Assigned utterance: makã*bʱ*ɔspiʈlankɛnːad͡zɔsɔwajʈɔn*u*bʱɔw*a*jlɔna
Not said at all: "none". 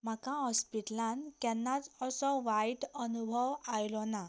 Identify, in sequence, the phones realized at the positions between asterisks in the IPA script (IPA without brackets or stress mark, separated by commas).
none, u, a